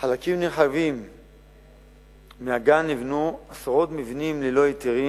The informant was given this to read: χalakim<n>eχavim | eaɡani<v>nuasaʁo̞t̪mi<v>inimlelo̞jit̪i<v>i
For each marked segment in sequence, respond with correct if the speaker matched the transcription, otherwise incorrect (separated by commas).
correct, correct, correct, incorrect